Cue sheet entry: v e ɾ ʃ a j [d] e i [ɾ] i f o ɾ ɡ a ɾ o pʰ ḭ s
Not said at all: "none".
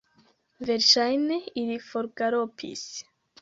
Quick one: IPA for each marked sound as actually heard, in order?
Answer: n, ɾ

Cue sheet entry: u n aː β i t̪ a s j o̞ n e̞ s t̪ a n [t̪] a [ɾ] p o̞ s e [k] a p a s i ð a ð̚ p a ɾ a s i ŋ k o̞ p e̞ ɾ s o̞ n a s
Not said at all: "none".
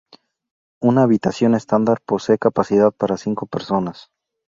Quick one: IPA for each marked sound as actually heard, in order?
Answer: d̪, ɾ, k

